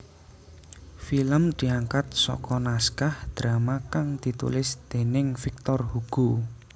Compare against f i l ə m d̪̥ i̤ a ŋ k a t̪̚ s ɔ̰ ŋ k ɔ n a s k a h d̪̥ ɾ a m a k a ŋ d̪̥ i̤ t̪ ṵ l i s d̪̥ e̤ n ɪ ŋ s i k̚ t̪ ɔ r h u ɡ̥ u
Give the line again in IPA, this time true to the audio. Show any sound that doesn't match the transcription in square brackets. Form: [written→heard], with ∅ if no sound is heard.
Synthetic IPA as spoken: f i l ə m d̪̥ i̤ a ŋ k a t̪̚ s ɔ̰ [ŋ→∅] k ɔ n a s k a h d̪̥ ɾ a m a k a ŋ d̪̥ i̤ t̪ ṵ l [i→ɪ] s d̪̥ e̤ n ɪ ŋ [s→f] i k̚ t̪ ɔ r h u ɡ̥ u